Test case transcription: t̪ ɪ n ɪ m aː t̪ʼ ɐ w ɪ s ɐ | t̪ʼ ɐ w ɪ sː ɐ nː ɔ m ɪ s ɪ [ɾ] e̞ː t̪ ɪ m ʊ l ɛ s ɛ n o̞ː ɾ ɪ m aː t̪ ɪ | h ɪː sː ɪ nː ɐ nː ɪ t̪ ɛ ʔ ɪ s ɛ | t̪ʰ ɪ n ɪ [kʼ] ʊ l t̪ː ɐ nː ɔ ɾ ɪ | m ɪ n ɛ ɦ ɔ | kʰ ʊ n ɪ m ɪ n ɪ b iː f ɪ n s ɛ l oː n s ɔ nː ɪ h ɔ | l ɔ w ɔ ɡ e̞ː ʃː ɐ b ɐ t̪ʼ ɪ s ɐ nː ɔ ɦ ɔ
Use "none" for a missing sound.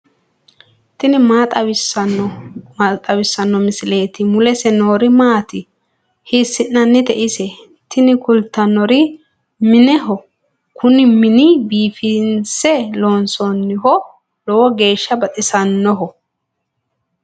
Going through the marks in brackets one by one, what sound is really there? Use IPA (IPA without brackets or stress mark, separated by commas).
l, k